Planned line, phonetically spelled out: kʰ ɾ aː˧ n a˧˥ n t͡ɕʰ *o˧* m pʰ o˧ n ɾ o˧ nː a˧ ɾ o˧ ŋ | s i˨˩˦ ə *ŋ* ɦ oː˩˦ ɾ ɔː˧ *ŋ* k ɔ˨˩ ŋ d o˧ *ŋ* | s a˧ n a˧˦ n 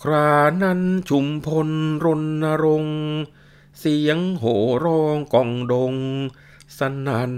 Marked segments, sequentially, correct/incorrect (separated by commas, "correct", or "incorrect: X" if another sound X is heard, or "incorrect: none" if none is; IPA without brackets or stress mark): incorrect: u˧, correct, correct, correct